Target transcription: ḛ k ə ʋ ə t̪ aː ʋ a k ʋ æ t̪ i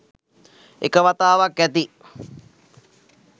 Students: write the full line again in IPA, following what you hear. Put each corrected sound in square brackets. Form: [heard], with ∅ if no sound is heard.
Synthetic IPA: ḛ k ə ʋ [a] t̪ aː ʋ a k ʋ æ t̪ i